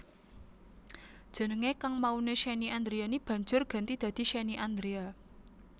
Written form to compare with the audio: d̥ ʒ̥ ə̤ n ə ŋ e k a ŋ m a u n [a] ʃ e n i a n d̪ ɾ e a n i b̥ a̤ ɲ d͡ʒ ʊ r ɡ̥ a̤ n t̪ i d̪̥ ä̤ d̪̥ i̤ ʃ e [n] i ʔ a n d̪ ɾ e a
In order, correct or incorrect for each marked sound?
incorrect, correct

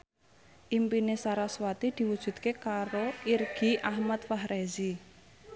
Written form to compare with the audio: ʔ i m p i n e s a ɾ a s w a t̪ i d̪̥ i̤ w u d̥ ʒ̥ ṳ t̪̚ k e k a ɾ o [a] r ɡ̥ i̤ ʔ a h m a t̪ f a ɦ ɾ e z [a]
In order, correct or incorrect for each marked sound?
incorrect, incorrect

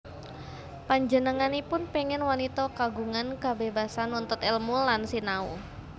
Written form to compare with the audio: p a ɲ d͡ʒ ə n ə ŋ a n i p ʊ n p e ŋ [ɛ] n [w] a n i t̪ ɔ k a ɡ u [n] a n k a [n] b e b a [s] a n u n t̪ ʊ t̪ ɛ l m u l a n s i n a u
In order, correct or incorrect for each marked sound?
correct, correct, incorrect, incorrect, correct

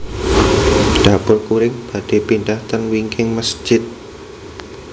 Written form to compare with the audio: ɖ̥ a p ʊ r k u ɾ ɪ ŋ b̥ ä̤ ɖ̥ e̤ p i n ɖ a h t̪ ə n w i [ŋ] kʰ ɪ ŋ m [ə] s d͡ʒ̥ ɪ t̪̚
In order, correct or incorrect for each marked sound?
correct, correct

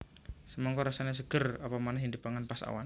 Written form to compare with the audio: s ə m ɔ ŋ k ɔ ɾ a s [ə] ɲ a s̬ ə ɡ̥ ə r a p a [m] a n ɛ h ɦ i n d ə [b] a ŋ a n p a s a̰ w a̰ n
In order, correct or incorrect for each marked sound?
incorrect, correct, incorrect

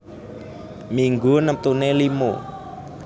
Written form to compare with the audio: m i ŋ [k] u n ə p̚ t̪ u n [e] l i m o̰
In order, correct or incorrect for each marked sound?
incorrect, correct

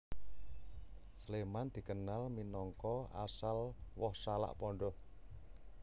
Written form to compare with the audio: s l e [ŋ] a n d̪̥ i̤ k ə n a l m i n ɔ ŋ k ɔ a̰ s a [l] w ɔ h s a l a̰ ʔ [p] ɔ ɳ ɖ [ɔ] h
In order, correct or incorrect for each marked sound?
incorrect, correct, correct, correct

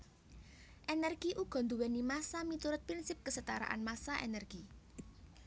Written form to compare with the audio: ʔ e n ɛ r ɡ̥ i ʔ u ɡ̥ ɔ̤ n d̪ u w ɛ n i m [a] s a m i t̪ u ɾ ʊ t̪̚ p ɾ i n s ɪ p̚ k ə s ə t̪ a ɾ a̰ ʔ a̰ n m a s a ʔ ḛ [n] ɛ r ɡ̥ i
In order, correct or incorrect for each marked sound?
correct, correct

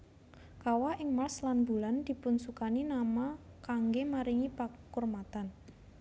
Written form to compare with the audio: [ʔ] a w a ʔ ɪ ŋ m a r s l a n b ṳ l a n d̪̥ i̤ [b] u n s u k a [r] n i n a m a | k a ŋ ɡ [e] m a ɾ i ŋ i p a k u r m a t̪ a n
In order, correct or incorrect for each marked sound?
incorrect, incorrect, incorrect, correct

